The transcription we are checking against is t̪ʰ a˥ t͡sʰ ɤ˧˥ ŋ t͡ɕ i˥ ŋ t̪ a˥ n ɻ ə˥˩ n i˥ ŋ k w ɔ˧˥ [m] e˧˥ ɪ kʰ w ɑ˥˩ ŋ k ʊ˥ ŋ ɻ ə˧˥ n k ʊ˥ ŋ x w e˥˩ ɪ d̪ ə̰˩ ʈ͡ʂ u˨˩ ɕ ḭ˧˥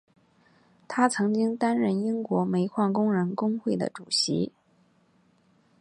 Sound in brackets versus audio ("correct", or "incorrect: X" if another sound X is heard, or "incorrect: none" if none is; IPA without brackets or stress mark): correct